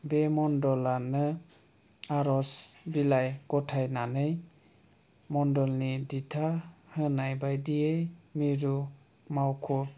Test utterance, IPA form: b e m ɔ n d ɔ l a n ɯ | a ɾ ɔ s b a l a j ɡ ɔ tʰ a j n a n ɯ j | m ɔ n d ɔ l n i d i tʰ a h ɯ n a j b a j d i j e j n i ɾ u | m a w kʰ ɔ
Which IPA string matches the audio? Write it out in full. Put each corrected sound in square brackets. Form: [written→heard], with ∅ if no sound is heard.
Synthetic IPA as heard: b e m ɔ n d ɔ l a n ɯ | a ɾ ɔ s b [a→i] l a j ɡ ɔ tʰ a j n a n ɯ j | m ɔ n d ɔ l n i d i tʰ a h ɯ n a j b a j d i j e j [n→m] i ɾ u | m a w kʰ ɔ